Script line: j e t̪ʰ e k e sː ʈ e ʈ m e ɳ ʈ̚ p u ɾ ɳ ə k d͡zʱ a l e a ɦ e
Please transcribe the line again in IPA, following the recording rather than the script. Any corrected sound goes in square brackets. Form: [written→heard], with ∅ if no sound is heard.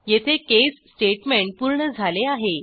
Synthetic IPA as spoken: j e t̪ʰ e k e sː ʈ e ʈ m e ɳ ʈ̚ p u ɾ ɳ ə [k→∅] d͡zʱ a l e a ɦ e